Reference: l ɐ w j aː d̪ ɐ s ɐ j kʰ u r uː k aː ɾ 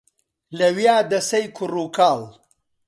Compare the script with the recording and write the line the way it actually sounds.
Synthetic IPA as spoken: l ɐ w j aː d̪ ɐ s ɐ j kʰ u r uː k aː l